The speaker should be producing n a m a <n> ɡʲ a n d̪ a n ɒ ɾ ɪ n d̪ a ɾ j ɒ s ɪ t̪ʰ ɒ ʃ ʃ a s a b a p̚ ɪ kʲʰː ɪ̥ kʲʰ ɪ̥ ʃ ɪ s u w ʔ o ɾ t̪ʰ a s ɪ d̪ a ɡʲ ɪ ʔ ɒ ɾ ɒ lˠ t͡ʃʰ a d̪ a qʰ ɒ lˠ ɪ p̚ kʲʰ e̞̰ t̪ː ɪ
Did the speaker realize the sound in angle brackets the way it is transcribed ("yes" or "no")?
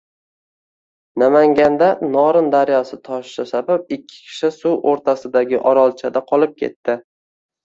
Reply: no